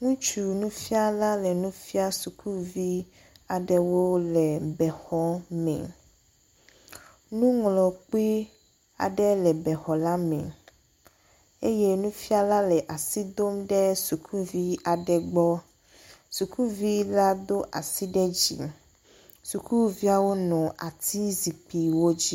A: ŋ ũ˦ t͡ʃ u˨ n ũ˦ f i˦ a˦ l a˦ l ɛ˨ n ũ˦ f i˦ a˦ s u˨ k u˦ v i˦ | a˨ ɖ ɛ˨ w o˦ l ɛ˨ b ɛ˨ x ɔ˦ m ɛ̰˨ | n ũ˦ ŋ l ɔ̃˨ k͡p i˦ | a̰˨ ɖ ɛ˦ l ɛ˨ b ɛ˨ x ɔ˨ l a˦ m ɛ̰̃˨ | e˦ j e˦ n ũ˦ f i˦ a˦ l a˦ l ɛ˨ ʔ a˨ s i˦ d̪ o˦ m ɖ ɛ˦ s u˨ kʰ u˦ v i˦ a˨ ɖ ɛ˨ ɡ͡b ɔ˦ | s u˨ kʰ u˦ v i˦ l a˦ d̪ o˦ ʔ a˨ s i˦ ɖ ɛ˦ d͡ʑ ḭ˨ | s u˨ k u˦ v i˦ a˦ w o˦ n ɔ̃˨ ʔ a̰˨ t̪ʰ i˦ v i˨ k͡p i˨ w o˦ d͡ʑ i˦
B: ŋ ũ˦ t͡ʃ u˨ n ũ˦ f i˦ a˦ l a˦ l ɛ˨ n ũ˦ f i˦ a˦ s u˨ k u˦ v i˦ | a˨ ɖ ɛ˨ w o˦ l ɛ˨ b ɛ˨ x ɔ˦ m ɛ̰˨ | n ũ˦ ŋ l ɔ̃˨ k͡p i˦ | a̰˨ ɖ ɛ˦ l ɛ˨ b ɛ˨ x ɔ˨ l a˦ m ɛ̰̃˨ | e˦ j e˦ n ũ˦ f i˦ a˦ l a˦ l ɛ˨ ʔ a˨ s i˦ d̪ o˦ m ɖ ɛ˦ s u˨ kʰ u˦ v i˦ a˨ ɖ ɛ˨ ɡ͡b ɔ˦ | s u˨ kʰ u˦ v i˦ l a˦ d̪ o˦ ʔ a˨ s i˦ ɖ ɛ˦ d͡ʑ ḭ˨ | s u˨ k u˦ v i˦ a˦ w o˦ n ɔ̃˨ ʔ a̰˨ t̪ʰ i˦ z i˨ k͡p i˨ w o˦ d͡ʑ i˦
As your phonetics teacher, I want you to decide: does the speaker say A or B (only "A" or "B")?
B